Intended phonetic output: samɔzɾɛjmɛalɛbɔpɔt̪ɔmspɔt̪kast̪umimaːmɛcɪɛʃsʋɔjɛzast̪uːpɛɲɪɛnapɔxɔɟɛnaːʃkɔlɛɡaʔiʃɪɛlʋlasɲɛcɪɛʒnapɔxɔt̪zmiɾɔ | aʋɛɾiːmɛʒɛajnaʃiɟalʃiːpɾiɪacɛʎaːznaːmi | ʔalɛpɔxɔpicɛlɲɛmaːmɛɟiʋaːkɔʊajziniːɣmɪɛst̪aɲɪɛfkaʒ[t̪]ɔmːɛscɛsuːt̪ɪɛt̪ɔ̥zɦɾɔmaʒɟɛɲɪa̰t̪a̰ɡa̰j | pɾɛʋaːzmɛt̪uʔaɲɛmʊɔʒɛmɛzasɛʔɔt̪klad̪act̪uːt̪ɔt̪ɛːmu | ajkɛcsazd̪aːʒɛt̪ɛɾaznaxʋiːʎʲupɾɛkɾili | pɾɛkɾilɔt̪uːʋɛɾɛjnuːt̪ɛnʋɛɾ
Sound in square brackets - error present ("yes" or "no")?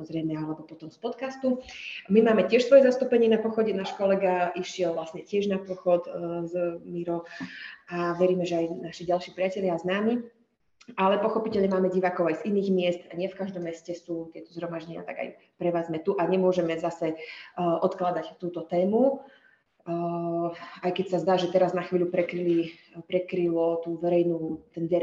yes